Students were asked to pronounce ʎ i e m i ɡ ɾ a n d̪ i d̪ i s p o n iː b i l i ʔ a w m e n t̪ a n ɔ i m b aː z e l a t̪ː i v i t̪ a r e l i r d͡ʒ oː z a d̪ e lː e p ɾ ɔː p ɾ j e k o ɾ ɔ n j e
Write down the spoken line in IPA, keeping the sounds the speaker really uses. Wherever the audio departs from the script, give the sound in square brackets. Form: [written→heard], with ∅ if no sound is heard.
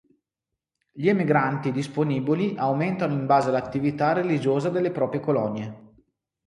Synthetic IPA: ʎ i e m i ɡ ɾ a n [d̪→t̪] i d̪ i s p o n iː b i l i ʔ a w m e n t̪ a n [ɔ→o] i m b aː z e l a t̪ː i v i t̪ a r e l i [r→∅] d͡ʒ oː z a d̪ e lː e p ɾ ɔː p ɾ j e k o [ɾ→l] ɔ n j e